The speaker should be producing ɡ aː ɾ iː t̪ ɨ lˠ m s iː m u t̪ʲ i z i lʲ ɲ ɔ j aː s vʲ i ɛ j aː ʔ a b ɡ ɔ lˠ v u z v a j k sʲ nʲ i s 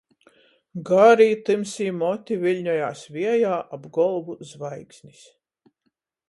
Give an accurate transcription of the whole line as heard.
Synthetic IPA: ɡ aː ɾ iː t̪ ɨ m s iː m ɔ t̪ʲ i v i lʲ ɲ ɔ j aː s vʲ i ɛ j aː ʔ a b ɡ ɔ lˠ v u z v a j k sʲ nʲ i s

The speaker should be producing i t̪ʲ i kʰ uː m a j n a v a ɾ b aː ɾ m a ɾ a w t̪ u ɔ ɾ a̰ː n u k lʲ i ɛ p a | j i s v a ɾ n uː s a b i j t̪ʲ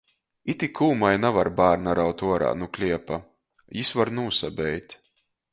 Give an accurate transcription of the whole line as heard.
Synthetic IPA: i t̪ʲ i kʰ uː m a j n a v a ɾ b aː ɾ n a ɾ a w t̪ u ɔ ɾ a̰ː n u k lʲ i ɛ p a | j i s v a ɾ n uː s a b ɛ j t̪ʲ

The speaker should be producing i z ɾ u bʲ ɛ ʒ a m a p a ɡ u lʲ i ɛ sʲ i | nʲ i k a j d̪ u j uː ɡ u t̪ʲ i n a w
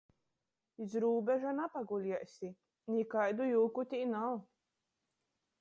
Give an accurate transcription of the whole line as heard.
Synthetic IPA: i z ɾ uː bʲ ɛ ʒ a n a p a ɡ u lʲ i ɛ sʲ i | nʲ i k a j d̪ u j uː k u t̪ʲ i n a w

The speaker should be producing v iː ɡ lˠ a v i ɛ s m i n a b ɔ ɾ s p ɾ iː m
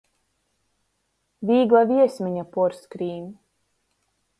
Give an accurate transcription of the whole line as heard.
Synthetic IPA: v iː ɡ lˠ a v i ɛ s m i ɲ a p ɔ ɾ s k ɾ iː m

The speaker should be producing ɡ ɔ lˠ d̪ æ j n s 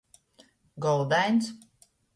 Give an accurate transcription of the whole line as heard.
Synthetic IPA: ɡ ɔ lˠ d̪ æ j n s

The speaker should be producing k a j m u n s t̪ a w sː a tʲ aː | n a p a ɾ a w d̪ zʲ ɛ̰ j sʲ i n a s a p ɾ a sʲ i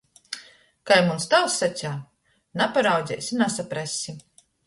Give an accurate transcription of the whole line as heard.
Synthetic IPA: k a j m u n s t̪ a w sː a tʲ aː | n a p a ɾ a w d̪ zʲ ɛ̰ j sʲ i n a s a p ɾ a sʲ i

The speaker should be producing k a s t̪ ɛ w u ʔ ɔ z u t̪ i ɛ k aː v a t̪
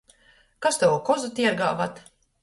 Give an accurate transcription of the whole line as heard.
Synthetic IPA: k a s t̪ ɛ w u k ɔ z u t̪ i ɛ ɡ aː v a t̪

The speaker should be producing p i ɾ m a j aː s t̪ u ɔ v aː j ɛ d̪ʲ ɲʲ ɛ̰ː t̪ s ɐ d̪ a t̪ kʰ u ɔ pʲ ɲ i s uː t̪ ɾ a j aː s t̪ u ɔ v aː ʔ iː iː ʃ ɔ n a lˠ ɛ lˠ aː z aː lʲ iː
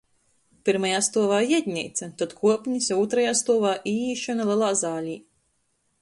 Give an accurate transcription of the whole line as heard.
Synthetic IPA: p i ɾ m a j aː s t̪ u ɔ v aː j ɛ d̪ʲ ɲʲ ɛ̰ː t̪ s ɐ t̪ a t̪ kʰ u ɔ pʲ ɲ i s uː t̪ ɾ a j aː s t̪ u ɔ v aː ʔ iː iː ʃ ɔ n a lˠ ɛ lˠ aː z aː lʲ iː

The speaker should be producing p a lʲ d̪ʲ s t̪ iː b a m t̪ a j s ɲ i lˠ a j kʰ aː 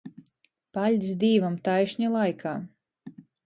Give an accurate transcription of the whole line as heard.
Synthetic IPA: p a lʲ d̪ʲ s d̪ iː v a m t̪ a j ʃ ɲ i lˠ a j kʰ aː

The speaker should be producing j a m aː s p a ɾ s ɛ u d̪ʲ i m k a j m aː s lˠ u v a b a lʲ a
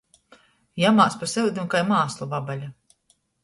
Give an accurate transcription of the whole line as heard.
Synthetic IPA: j a m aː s p a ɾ s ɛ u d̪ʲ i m k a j m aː s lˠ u v a b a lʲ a

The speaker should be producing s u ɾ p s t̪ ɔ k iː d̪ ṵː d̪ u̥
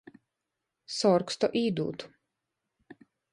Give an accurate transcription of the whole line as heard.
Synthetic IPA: s ɔ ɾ k s t̪ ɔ ʔ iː d̪ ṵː t̪ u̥

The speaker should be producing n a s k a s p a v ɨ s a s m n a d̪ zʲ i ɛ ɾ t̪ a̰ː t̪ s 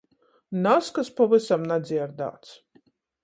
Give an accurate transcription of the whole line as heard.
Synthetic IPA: n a s k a s p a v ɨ s a m n a d̪ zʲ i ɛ ɾ d̪ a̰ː t̪ s

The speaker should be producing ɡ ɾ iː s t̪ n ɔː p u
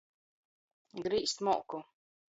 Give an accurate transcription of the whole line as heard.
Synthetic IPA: ɡ ɾ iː s t̪ m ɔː k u

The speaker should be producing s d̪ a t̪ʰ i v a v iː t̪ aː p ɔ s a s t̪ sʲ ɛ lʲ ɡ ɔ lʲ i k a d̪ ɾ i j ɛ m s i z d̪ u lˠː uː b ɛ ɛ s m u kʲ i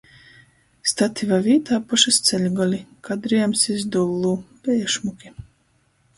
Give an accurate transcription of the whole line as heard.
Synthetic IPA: s t̪ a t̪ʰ i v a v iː t̪ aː p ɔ ʃ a s t̪ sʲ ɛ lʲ ɡ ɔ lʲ i k a d̪ ɾ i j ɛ m s i z d̪ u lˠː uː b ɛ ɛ ʃ m u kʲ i

